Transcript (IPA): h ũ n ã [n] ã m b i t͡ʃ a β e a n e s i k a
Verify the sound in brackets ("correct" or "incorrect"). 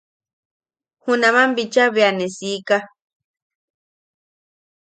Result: incorrect